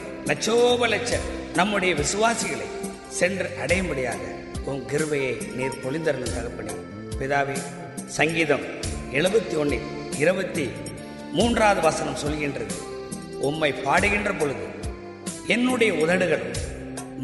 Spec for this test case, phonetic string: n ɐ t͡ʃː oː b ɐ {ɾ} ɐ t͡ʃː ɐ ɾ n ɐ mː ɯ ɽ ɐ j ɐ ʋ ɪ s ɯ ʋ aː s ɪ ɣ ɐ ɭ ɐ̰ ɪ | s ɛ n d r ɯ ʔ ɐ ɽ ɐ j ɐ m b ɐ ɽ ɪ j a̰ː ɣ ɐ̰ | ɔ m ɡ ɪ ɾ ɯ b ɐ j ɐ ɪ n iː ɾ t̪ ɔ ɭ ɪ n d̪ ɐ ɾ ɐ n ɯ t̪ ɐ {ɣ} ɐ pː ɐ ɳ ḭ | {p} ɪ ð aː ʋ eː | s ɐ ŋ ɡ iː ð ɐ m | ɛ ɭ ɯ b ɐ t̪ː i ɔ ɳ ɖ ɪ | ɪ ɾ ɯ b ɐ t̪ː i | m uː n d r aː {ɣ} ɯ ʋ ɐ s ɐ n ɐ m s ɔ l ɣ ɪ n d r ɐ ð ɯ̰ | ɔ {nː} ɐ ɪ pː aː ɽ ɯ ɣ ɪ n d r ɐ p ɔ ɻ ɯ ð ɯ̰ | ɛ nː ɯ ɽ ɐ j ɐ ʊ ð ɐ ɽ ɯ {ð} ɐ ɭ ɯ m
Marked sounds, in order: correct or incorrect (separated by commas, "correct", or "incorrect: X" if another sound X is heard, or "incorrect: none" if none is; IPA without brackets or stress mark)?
incorrect: l, correct, correct, incorrect: ð, incorrect: mː, incorrect: ɣ